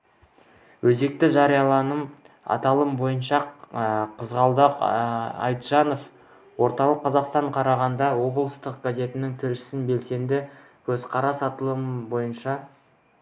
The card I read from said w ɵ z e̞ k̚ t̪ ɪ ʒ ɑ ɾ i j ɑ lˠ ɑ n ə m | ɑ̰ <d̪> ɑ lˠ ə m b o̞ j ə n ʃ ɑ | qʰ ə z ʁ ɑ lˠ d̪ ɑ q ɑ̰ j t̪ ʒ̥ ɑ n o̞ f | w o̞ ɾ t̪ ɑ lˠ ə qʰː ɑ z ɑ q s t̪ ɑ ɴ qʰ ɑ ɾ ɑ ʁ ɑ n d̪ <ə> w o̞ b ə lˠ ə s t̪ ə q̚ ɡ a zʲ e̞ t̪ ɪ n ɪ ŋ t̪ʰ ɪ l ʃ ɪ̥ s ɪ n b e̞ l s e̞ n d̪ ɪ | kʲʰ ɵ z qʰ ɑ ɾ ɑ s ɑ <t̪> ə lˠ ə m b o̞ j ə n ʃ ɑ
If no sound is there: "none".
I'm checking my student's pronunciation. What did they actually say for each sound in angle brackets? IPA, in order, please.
t̪, ɑ, t̪

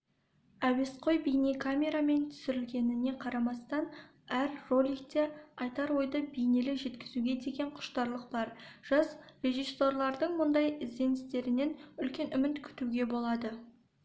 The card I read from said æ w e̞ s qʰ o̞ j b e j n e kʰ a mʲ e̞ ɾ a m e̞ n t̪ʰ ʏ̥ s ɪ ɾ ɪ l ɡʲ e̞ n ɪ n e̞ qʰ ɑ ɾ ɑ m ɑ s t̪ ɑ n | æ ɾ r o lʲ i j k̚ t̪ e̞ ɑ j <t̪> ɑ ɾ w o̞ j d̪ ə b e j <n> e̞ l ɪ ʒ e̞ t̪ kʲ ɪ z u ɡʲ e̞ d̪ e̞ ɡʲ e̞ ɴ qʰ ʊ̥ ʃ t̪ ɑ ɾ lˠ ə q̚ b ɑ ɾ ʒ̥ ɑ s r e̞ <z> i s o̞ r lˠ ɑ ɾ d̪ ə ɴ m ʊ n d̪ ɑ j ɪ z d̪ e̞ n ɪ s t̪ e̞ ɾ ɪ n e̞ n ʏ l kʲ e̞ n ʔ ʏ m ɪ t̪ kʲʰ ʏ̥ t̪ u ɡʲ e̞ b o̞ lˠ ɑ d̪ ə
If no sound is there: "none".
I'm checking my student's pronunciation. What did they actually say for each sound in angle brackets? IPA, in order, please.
t̪, n, ʒ

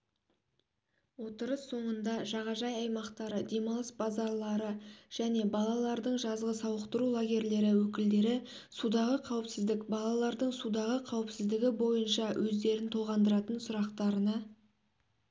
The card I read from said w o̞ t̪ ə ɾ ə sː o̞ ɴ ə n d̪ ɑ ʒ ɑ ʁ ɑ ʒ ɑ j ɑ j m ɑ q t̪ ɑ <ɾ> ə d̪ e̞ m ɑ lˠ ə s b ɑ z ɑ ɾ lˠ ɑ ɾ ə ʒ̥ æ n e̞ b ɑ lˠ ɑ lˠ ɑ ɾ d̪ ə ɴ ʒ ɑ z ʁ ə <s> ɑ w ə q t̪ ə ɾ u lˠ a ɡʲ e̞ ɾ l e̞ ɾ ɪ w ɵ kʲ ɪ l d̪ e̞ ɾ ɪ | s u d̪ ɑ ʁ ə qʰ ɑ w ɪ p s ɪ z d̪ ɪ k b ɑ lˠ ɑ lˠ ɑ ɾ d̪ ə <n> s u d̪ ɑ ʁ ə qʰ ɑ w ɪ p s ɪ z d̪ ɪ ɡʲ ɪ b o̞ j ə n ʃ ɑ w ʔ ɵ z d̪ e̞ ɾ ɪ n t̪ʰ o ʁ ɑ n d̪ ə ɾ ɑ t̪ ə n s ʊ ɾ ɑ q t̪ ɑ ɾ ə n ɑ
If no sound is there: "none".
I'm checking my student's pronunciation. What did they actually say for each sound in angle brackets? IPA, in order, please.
ɾ, s, ɴ

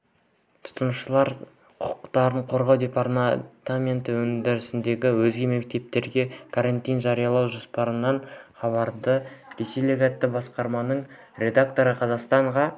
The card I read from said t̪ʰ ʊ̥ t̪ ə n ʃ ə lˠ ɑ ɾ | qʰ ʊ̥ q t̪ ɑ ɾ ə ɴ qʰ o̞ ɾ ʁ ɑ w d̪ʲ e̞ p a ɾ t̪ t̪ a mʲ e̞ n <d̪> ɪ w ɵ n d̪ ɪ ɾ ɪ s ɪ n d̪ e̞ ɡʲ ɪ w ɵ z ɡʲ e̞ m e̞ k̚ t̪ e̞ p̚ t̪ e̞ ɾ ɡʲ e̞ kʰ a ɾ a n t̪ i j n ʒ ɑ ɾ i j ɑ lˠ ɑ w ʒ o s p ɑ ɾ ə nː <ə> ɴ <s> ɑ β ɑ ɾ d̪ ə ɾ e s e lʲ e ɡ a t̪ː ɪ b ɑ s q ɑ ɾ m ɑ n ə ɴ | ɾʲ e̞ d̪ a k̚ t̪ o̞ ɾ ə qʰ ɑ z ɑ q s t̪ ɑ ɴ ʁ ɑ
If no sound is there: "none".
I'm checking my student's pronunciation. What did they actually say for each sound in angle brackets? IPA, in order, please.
t̪, ɑ, χ

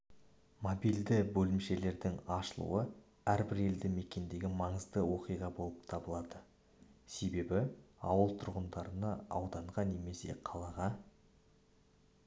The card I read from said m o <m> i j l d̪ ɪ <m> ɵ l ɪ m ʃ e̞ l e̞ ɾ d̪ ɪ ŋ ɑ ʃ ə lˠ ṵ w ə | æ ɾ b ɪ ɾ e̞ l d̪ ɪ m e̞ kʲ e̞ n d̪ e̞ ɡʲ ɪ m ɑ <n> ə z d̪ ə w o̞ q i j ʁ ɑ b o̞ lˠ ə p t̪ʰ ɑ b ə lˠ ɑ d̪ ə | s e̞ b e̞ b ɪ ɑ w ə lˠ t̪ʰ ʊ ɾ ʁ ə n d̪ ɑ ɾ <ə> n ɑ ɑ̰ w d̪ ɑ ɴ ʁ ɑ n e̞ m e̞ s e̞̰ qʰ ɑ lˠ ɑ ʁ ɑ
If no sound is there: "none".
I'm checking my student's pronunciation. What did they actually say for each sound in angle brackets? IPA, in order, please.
b, b, ɴ, ə

